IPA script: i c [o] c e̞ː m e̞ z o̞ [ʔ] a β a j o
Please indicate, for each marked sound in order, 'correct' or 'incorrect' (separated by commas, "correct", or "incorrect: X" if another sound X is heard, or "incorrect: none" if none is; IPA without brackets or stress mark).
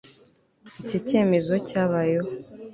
correct, incorrect: c